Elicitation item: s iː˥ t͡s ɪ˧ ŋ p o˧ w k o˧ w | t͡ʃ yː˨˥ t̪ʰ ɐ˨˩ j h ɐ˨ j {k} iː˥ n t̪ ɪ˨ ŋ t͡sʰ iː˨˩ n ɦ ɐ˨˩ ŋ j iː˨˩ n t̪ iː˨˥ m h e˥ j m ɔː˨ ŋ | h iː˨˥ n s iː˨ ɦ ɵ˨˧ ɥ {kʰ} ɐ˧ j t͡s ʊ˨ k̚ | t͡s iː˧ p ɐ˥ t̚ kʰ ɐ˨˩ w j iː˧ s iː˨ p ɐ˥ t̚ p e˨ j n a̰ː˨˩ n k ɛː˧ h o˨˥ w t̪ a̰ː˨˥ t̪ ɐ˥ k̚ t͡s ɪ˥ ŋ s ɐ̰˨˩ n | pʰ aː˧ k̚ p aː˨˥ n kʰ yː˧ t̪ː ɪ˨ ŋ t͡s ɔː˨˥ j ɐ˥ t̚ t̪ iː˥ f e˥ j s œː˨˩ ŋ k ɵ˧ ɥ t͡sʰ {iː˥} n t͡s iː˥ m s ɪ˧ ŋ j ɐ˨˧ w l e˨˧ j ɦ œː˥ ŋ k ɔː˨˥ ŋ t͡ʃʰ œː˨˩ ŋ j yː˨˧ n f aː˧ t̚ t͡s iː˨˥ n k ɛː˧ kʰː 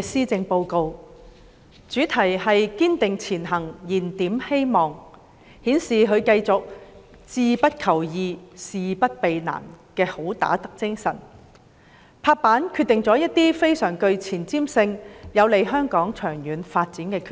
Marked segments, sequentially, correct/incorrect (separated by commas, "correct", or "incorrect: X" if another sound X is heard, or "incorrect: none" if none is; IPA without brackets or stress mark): correct, incorrect: k, incorrect: iː˨˩